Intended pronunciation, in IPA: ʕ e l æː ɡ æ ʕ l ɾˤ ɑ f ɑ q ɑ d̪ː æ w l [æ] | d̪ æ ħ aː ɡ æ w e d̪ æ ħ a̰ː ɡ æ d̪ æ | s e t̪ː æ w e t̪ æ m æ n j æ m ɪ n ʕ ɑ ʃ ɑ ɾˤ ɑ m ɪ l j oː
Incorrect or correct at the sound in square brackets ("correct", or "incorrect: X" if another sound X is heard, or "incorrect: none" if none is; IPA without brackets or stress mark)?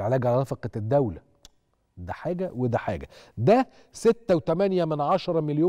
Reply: correct